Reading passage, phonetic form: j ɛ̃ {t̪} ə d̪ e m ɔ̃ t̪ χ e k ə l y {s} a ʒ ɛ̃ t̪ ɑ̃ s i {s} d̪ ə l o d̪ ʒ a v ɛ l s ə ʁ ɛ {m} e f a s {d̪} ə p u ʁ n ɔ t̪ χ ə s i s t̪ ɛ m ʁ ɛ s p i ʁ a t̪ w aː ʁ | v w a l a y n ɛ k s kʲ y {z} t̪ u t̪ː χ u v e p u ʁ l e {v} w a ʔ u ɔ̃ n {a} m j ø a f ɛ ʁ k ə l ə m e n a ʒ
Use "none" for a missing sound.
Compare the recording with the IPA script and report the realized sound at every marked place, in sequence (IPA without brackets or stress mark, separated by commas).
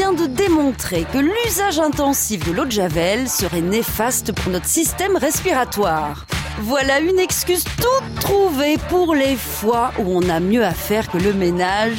d̪, z, f, n, t̪, z, f, a